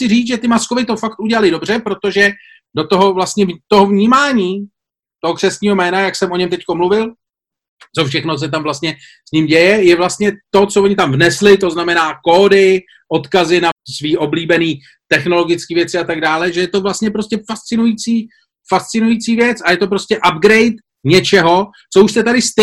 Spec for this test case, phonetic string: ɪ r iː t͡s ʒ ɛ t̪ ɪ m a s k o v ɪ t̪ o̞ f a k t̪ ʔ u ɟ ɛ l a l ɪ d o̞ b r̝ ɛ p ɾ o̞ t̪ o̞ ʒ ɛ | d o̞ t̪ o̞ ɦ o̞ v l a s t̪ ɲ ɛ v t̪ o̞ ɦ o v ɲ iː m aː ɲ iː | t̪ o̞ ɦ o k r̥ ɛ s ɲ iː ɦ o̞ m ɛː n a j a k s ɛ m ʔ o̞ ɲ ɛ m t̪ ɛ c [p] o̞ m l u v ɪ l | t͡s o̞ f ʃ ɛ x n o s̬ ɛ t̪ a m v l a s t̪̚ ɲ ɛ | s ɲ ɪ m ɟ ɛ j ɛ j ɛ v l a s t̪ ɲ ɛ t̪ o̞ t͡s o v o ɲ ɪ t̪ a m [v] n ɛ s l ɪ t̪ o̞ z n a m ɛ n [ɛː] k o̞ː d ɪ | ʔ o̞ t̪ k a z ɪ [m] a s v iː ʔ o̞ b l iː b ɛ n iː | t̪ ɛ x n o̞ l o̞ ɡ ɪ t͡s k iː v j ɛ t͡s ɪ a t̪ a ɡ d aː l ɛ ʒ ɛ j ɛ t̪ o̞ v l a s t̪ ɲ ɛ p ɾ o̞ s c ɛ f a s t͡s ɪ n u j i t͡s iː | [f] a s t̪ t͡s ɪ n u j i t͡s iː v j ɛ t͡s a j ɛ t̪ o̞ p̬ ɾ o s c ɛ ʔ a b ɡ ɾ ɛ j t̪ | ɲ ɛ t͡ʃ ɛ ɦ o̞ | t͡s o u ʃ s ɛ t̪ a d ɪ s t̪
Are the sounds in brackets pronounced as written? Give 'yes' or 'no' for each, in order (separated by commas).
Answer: no, yes, no, no, yes